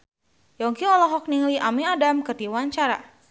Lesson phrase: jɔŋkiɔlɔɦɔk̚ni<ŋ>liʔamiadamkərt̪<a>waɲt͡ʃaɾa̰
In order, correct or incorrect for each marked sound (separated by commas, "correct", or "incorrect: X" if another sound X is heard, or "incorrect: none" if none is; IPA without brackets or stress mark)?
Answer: correct, incorrect: i